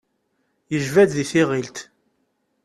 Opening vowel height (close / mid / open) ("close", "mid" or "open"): mid